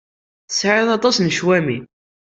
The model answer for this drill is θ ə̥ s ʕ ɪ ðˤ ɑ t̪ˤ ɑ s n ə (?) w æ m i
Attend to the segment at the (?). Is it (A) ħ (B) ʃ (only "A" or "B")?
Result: B